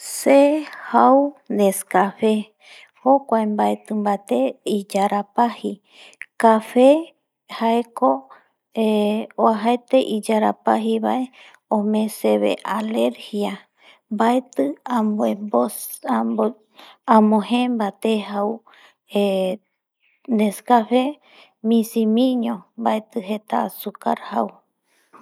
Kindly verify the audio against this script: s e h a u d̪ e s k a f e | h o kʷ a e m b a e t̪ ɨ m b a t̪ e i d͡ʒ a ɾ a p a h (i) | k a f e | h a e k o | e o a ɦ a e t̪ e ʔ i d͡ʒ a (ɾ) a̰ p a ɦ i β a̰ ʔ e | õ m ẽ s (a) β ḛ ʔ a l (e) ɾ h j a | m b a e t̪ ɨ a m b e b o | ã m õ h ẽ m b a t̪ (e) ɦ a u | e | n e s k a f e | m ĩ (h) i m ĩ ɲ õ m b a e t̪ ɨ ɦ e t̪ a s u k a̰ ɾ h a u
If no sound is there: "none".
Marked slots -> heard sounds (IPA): i, ɾ, e, e, e, s

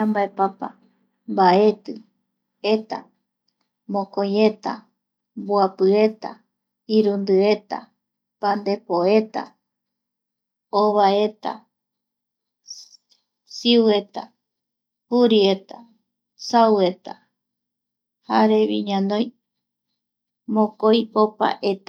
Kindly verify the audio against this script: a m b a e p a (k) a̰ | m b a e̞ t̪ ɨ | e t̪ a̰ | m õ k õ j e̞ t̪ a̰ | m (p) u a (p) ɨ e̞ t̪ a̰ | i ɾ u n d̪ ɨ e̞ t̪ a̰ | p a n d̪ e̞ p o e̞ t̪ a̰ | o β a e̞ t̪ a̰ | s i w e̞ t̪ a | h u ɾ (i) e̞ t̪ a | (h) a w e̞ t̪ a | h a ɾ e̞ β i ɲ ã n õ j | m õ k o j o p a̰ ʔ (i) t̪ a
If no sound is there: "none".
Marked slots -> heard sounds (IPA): p, b, p, i, s, e

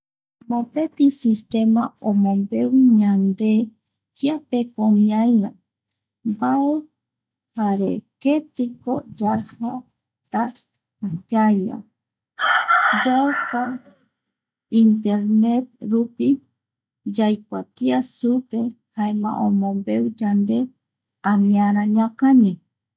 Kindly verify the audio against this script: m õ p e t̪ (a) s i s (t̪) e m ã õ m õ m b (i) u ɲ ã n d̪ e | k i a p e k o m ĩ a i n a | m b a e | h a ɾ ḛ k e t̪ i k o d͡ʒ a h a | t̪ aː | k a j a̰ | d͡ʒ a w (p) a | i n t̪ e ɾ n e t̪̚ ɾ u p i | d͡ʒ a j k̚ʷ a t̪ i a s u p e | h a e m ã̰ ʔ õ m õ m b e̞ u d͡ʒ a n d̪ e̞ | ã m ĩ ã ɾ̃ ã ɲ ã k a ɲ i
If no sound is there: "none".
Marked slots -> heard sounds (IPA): i, t̪, e, k

